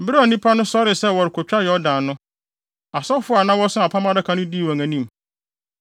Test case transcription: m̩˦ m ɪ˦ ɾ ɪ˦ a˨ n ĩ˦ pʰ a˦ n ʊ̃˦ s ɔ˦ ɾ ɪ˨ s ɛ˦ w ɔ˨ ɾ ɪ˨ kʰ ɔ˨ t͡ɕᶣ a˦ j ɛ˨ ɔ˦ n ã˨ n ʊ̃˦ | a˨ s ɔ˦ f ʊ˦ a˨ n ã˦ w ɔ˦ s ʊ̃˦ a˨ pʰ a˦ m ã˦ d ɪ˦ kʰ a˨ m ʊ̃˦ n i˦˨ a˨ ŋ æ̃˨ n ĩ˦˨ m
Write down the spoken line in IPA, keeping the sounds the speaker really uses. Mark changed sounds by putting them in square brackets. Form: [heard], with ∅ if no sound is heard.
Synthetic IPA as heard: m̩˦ [b] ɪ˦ ɾ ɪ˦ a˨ n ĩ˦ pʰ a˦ n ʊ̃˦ s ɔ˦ ɾ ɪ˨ s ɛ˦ w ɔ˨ ɾ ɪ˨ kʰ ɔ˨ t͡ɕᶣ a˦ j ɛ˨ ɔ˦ [d] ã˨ n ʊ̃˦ | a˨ s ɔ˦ f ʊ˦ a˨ n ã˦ w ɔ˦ s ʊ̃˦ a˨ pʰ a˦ m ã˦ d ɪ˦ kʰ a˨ [n] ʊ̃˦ [d] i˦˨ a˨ ŋ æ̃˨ n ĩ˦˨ m